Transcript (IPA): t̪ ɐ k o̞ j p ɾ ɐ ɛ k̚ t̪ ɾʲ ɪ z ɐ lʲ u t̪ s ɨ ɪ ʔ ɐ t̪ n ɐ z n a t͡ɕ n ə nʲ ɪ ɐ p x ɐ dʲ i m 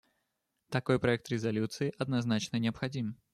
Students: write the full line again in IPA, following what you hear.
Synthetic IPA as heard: t̪ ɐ k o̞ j p ɾ ɐ ɛ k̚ t̪ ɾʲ ɪ z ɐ lʲ u t̪ s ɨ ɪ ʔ ɐ d̪ n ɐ z n a t͡ɕ n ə nʲ ɪ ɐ p x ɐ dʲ i m

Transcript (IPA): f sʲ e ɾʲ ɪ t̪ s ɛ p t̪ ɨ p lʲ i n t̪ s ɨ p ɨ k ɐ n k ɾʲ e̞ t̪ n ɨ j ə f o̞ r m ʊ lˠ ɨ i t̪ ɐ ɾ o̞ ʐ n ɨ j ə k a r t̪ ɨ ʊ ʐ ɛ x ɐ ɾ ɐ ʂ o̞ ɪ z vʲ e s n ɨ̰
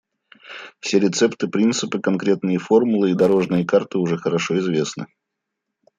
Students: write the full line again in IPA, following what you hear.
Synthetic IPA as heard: f sʲ e ɾʲ ɪ t̪ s ɛ p t̪ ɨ p ɾʲ i n t̪ s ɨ p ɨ k ɐ n k ɾʲ e̞ t̪ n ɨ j ə f o̞ r m ʊ lˠ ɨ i d̪ ɐ ɾ o̞ ʐ n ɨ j ə k a r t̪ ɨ ʊ ʐ ɛ x ə ɾ ɐ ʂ o̞ ɪ z vʲ e s n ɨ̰

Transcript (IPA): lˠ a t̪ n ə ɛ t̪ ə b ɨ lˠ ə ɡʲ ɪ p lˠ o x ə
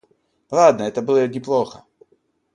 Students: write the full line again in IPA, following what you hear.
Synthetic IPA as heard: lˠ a d̪ n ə ɛ t̪ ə b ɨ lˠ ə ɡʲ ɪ p lˠ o x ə

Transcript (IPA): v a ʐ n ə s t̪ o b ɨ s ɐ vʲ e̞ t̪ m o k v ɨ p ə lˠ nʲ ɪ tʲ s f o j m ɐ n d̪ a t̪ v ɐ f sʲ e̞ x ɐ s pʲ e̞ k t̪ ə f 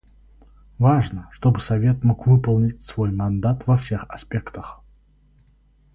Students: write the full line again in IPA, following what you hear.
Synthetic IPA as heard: v a ʐ n ə ʂ t̪ o b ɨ s ɐ vʲ e̞ t̪ m o k v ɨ p ə lˠ nʲ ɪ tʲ s v o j m ɐ n d̪ a t̪ v ɐ f sʲ e̞ x ɐ s pʲ e̞ k t̪ ə x

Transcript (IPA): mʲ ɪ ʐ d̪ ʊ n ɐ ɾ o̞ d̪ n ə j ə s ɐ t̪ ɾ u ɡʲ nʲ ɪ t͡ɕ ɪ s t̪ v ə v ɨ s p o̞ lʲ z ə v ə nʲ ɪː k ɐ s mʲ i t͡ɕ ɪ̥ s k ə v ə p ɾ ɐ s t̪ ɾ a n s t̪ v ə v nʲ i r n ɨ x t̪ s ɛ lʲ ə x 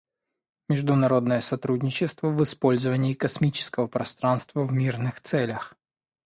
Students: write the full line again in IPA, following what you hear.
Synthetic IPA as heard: mʲ ɪ ʐ d̪ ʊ n ɐ ɾ o̞ d̪ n ə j ə s ɐ t̪ ɾ u dʲ nʲ ɪ t͡ɕ ɪ s t̪ v ə v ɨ s p o̞ lʲ z ə v ə nʲ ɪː k ɐ s mʲ i t͡ɕ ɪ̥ s k ə v ə p ɾ ɐ s t̪ ɾ a n s t̪ v ə v mʲ i r n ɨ x t̪ s ɛ lʲ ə x

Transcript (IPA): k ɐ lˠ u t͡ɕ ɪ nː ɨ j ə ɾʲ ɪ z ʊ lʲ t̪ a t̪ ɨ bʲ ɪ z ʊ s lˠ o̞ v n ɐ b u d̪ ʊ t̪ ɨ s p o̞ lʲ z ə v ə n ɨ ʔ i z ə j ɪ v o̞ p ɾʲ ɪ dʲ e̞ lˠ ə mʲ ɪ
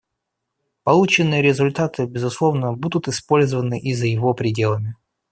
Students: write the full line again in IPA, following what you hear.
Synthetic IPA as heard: p ɐ lˠ u t͡ɕ ɪ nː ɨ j ə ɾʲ ɪ z ʊ lʲ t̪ a t̪ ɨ bʲ ɪ z ʊ s lˠ o̞ v n ə b u d̪ ʊ t̪ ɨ s p o̞ lʲ z ə v ə n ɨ ʔ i z ə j ɪ v o̞ p ɾʲ ɪ dʲ e̞ lˠ ə mʲ ɪ

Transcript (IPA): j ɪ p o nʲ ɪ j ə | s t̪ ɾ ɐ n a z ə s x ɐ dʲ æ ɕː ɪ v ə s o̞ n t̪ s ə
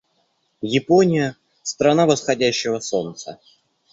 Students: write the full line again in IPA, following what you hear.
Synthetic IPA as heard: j ɪ p o nʲ ɪ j ə | s t̪ ɾ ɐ n a v ə s x ɐ dʲ æ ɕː ɪ v ə s o̞ n t̪ s ə

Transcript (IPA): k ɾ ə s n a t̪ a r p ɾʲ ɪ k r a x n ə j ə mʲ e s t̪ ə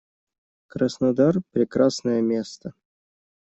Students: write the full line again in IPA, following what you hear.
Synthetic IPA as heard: k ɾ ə s n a d̪ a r p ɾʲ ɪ k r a s n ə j ə mʲ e s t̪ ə

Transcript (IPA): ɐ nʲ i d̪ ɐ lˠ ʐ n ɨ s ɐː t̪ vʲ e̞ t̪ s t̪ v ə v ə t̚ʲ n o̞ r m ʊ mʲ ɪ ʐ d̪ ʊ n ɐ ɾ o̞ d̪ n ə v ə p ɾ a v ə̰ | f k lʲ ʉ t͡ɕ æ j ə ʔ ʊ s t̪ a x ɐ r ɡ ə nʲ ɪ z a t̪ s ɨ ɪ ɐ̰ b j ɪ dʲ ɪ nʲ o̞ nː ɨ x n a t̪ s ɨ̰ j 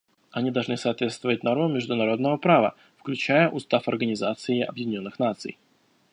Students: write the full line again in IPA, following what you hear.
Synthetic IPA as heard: ɐ nʲ i d̪ ɐ lˠ ʐ n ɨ s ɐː t̪ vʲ e̞ t̪ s t̪ v ə v ə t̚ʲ n o̞ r m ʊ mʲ ɪ ʐ d̪ ʊ n ɐ ɾ o̞ d̪ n ə v ə p ɾ a v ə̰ | f k lʲ ʉ t͡ɕ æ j ə ʔ ʊ s t̪ a f ɐ r ɡ ə nʲ ɪ z a t̪ s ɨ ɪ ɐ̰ b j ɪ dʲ ɪ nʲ o̞ nː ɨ x n a t̪ s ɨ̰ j

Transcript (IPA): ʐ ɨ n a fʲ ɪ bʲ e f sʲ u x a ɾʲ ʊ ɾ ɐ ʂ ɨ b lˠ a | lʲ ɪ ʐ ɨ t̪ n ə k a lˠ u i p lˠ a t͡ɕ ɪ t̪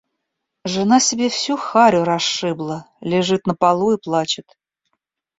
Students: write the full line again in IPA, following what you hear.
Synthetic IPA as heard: ʐ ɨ n a sʲ ɪ bʲ e f sʲ u x a ɾʲ ʊ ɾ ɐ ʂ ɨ b lˠ ə | lʲ ɪ ʐ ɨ t̪ n ə p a lˠ u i p lˠ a t͡ɕ ɪ t̪

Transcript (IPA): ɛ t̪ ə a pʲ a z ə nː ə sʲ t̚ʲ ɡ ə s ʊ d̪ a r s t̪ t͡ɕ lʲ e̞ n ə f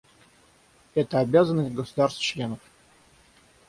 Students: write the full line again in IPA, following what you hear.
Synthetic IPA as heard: ɛ t̪ ə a bʲ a z ə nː ə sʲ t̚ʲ ɡ ə s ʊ d̪ a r s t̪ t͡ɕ lʲ e̞ n ə f

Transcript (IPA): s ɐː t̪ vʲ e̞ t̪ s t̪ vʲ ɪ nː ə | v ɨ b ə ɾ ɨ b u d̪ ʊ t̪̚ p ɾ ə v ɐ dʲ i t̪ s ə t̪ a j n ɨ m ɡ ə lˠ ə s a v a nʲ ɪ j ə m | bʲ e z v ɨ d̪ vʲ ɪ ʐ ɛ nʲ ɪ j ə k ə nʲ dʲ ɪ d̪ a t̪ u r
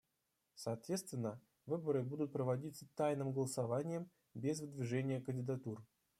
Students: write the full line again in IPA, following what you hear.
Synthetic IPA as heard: s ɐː t̪ vʲ e̞ t̪ s t̪ vʲ ɪ nː ə | v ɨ b ə ɾ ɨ b u d̪ ʊ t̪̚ p ɾ ə v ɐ dʲ i t̪ s ə t̪ a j n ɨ m ɡ ə lˠ ə s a v a nʲ ɪ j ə m | bʲ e z v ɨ d̪ vʲ ɪ ʐ ɛ nʲ ɪ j ə k ə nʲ dʲ ɪ d̪ a t̪ u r

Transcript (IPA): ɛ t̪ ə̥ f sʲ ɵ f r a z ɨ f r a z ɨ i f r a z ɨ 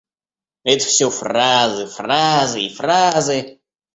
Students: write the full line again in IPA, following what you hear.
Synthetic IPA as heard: ɛ t̪ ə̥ f sʲ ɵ f r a z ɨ f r a z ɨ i f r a z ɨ

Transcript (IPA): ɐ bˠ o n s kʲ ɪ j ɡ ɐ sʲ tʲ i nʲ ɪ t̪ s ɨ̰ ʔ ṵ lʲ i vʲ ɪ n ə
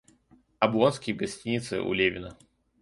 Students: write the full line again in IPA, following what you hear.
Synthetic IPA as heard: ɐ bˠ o n s kʲ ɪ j ɡ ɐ sʲ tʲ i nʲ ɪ t̪ s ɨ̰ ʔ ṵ lʲ e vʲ ɪ n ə

